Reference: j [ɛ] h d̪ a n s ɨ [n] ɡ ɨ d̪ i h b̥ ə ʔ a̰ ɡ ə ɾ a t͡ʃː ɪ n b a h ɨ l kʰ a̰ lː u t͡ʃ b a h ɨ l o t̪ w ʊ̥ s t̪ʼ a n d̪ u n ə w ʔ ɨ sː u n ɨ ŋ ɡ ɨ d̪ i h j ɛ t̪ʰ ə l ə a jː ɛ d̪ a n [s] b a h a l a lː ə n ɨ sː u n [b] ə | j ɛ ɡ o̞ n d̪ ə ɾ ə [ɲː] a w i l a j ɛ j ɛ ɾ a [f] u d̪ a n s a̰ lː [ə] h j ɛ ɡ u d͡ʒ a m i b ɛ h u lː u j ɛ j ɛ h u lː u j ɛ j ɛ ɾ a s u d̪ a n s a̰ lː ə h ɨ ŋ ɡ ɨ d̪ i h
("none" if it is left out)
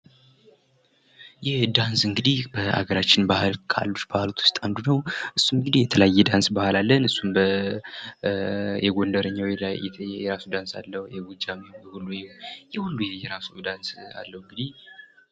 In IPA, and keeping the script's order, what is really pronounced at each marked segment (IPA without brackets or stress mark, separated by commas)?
ɛ, ŋ, s, b, ɲː, s, ə